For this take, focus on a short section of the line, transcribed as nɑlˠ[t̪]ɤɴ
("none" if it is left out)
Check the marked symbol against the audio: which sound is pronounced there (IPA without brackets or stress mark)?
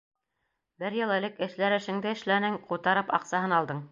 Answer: d̪